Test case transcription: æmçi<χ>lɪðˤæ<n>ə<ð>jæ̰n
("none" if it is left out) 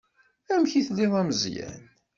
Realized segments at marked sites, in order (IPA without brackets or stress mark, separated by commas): θ, m, z